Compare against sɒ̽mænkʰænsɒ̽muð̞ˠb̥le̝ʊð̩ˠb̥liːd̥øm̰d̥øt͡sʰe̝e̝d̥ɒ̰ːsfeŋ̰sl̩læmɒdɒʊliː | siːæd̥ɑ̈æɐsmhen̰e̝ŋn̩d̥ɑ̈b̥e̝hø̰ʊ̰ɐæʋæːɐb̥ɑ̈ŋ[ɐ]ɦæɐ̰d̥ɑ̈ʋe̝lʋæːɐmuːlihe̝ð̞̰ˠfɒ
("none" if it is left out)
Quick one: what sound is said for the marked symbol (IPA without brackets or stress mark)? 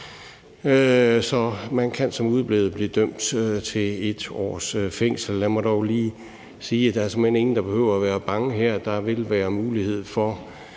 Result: ə